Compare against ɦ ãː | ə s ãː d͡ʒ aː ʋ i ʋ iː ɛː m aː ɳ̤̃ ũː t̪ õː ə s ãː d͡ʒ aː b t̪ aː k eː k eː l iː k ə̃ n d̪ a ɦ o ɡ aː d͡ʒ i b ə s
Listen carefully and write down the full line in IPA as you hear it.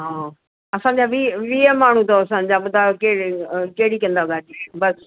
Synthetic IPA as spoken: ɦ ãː | ə s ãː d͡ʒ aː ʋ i ʋ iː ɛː m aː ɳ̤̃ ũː t̪ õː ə s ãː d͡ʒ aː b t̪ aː k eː k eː ɽ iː k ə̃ n d̪ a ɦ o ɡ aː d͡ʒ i b ə s